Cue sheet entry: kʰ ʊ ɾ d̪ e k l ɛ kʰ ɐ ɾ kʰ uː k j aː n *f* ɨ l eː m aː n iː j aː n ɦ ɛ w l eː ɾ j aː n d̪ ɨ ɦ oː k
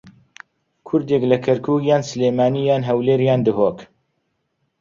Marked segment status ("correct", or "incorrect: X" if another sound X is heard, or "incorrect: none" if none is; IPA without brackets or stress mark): incorrect: s